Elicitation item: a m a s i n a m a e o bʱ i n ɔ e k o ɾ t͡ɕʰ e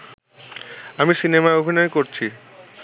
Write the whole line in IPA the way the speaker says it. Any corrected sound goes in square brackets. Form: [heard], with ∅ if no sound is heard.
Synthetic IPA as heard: a m [i] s i n [e] m a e o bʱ i n ɔ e k o ɾ t͡ɕʰ [i]